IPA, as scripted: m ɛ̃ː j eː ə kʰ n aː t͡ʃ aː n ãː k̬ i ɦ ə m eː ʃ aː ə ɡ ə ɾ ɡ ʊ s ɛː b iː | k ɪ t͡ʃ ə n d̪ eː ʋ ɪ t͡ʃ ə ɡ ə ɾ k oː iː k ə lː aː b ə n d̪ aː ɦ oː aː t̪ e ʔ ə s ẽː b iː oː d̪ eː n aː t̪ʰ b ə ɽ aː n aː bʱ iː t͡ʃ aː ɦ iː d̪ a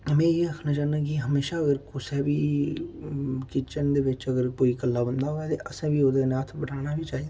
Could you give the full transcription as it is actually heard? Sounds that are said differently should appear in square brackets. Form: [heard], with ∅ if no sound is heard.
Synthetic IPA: m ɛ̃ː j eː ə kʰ n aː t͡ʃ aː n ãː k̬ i ɦ ə m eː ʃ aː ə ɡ ə ɾ [k] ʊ s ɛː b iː | k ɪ t͡ʃ ə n d̪ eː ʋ ɪ t͡ʃ ə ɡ ə ɾ k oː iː k ə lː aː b ə n d̪ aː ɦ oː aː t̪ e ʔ ə s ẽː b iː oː d̪ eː n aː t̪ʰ b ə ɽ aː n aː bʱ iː t͡ʃ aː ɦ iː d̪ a